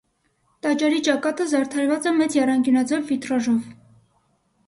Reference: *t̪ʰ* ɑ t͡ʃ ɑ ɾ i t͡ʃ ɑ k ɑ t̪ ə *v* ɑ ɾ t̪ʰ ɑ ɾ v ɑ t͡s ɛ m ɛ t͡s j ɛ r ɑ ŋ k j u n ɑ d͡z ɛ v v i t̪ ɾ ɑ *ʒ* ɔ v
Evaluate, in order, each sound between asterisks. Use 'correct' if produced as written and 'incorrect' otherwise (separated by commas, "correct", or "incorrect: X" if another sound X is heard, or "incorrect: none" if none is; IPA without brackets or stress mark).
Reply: incorrect: t̪, incorrect: z, correct